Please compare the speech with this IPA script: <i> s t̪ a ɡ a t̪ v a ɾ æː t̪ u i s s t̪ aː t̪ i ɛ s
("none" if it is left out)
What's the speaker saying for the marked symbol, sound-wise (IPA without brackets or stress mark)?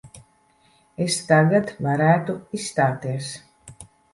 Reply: e